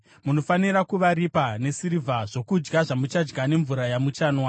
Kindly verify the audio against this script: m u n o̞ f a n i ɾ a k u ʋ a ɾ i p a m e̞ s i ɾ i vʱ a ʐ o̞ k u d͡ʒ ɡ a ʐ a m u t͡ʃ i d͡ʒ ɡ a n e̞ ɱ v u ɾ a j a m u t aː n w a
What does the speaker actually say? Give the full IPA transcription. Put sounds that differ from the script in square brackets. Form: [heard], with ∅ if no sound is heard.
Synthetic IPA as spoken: m u n o̞ f a n i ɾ a k u ʋ a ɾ i p a [n] e̞ s i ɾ i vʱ a ʐ o̞ k u d͡ʒ ɡ a ʐ a m u t͡ʃ [a] d͡ʒ ɡ a n e̞ ɱ v u ɾ a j a m u [t͡ʃ] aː n w a